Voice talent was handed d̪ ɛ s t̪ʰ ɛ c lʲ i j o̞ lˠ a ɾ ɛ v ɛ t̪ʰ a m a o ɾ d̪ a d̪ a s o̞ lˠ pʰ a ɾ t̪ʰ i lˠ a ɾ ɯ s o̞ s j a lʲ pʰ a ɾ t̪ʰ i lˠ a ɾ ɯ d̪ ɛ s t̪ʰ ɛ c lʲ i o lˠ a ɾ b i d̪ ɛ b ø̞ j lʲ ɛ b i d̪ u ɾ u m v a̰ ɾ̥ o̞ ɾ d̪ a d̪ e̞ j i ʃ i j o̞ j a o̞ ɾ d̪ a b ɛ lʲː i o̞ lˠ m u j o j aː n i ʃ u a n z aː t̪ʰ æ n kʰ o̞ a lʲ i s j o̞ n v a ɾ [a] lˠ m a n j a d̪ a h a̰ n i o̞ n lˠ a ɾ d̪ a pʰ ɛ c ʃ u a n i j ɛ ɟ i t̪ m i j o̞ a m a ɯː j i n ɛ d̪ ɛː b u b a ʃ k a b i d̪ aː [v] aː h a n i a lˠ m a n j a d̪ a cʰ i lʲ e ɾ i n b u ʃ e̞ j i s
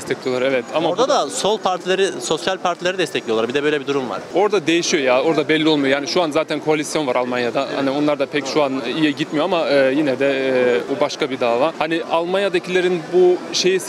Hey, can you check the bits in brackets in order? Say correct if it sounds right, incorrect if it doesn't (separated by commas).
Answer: correct, correct